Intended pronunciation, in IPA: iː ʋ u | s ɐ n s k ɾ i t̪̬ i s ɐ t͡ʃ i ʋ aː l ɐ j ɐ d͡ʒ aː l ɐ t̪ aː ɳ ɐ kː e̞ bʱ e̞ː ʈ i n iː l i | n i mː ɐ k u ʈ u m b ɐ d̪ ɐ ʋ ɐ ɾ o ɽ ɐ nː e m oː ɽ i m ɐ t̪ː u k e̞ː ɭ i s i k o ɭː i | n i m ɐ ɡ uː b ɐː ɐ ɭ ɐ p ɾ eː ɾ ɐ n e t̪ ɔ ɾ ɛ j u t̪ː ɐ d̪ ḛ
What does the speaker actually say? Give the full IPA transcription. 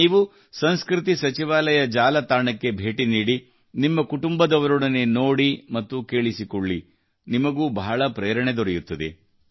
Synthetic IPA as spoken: iː ʋ u | s ɐ n s k ɾ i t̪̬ i s ɐ t͡ʃ i ʋ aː l ɐ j ɐ d͡ʒ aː l ɐ t̪ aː ɳ ɐ kː e̞ bʱ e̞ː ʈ i n iː ɽ i | n i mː ɐ k u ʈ u m b ɐ d̪ ɐ ʋ ɐ ɾ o ɽ ɐ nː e n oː ɽ i m ɐ t̪ː u k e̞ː ɭ i s i k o ɭː i | n i m ɐ ɡ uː b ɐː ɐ ɭ ɐ p ɾ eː ɾ ɐ ɳ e d̪ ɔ ɾ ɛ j u t̪ː ɐ d̪ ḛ